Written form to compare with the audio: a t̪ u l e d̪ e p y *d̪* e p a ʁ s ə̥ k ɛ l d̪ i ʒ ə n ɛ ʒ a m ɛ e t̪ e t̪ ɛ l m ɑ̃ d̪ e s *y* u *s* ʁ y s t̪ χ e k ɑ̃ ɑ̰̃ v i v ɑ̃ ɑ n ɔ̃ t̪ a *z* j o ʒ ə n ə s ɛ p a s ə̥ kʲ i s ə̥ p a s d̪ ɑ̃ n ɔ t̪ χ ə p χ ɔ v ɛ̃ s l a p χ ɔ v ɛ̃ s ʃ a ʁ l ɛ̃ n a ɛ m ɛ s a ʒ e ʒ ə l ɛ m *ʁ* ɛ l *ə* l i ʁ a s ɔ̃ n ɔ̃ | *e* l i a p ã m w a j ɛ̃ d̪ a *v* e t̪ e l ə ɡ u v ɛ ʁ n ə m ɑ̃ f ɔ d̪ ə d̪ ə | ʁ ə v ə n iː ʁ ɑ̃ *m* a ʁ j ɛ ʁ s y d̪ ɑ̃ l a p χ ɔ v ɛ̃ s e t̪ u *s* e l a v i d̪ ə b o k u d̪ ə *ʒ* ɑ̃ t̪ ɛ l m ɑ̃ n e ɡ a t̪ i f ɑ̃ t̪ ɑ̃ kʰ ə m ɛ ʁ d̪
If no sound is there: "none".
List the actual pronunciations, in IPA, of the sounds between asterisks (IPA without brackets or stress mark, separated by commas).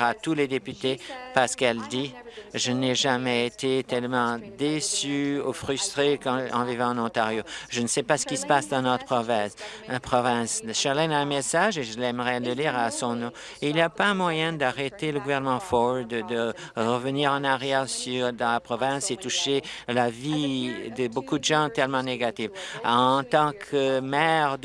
t̪, y, f, ʁ, ʁ, ə, i, ʁ, n, ʃ, ʒ